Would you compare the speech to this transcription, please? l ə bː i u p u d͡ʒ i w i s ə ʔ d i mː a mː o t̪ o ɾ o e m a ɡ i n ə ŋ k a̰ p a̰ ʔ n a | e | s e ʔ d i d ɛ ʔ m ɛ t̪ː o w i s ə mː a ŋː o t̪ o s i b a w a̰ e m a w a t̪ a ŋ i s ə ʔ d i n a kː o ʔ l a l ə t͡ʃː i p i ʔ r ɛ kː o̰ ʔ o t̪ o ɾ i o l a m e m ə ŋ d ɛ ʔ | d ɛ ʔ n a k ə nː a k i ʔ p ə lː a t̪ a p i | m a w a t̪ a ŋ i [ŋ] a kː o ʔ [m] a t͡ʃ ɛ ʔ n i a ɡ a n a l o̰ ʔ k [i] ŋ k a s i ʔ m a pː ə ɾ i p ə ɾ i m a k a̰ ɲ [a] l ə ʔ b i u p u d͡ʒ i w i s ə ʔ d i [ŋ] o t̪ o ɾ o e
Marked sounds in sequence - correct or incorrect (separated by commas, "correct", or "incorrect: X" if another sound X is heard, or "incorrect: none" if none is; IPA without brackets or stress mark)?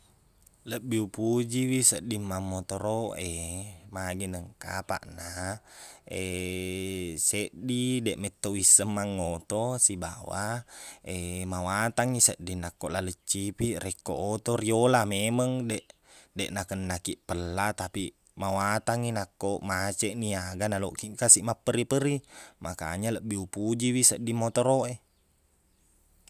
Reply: incorrect: n, correct, correct, correct, incorrect: m